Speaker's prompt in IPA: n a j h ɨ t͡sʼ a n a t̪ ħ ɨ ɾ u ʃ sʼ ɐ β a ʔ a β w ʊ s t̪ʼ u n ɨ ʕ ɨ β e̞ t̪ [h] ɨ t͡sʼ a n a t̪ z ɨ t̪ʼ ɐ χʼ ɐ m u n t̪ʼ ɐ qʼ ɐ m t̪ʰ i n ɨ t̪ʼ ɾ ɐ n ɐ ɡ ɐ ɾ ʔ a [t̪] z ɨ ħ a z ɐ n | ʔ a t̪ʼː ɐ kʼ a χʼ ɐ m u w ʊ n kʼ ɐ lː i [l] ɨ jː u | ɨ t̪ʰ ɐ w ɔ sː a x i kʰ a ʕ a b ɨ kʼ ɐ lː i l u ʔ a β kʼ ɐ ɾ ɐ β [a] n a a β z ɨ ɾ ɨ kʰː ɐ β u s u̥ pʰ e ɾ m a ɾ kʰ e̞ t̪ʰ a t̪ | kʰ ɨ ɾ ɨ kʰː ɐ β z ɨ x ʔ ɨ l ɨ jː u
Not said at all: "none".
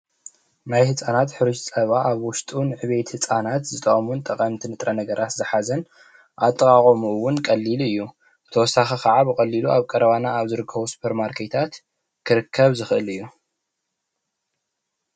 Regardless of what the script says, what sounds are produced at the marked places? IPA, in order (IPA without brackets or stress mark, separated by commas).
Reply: h, t̪, l, a